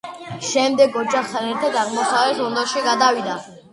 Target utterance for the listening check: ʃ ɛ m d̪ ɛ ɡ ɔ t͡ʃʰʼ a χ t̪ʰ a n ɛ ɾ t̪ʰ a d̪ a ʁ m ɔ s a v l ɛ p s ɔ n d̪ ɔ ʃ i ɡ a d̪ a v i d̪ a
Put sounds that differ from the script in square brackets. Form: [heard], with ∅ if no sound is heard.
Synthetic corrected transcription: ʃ ɛ m d̪ ɛ ɡ ɔ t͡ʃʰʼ a χ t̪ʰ a n ɛ ɾ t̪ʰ a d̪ a ʁ m ɔ s a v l ɛ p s ɔ n d̪ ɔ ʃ i ɡ a d̪ a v i d̪ a